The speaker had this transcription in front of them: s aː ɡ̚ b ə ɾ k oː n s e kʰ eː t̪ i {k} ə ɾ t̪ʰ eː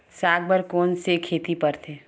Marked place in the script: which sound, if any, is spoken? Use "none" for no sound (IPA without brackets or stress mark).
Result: p